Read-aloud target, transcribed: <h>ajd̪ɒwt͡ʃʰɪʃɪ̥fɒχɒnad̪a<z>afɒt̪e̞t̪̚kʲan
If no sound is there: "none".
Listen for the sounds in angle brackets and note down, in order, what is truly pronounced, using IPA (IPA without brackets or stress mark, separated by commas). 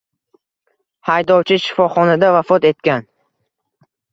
h, v